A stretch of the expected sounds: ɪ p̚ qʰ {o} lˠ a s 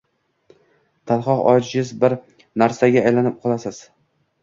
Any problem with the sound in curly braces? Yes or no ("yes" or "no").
yes